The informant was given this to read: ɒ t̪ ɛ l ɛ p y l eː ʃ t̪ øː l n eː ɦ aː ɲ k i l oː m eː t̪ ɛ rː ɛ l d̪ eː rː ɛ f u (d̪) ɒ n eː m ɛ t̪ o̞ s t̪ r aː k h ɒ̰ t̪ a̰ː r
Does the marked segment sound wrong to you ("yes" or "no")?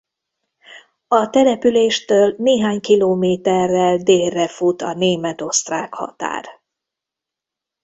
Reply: yes